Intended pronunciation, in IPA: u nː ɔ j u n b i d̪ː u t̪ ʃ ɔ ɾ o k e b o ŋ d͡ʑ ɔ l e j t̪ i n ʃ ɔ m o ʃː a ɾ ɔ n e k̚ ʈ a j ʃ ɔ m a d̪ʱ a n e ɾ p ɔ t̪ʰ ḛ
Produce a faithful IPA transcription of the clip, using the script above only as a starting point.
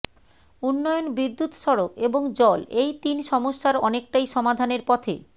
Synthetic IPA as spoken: u nː ɔ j o n b i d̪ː u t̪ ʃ ɔ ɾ o k e b o ŋ d͡ʑ ɔ l e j t̪ i n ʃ ɔ m o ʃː a ɾ ɔ n e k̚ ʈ a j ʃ ɔ m a d̪ʱ a n e ɾ p ɔ t̪ʰ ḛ

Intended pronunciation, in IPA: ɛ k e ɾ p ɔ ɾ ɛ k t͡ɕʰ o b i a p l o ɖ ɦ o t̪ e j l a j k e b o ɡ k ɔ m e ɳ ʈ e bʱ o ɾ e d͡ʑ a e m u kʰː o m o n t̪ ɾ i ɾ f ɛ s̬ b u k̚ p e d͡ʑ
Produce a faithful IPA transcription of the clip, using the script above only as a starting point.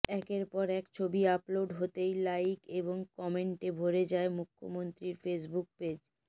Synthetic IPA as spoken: ɛ k e ɾ p ɔ ɾ ɛ k t͡ɕʰ o b i a p l o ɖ ɦ o t̪ e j l a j k e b o ŋ k ɔ m e ɳ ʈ e bʱ o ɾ e d͡ʑ a e m u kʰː o m o n t̪ ɾ i ɾ f e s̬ b u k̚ p e d͡ʑ

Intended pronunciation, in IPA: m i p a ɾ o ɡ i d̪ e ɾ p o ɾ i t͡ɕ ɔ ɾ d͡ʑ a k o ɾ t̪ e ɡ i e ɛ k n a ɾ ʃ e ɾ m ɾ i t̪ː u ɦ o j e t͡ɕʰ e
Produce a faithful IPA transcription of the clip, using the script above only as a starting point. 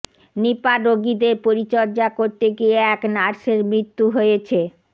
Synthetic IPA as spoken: n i p a ɾ o ɡ i d̪ e ɾ p o ɾ i t͡ɕ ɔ ɾ d͡ʑ a k o ɾ t̪ e ɡ i e ɛ k n a ɾ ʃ e ɾ m ɾ i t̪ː u ɦ o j e t͡ɕʰ e

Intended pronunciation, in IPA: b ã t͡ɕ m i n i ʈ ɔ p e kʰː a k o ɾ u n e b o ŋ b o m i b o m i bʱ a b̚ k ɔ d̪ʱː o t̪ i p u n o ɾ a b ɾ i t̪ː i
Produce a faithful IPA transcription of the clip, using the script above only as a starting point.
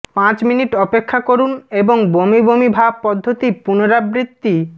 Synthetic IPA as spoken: p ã t͡ɕ m i n i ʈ ɔ p e kʰː a k o ɾ u n e b o ŋ b o m i b o m i bʱ a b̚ p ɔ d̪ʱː o t̪ i p u n o ɾ a b ɾ i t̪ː i

